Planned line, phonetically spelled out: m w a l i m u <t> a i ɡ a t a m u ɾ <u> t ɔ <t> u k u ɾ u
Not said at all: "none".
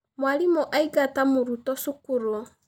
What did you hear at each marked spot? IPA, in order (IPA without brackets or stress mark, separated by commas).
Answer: ʔ, u, s